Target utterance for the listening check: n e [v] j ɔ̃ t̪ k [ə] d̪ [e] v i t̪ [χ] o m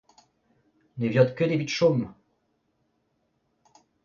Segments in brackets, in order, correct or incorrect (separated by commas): correct, correct, correct, incorrect